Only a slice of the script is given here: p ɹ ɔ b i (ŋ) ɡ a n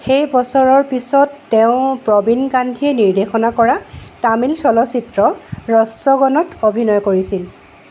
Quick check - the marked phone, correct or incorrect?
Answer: incorrect